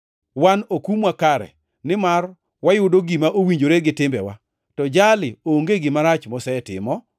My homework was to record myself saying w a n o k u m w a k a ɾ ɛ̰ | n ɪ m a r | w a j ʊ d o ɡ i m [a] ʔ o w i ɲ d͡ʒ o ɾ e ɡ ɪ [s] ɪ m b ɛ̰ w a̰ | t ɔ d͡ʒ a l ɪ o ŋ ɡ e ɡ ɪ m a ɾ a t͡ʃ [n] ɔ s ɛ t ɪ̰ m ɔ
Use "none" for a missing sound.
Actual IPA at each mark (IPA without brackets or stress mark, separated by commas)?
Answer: a, t, m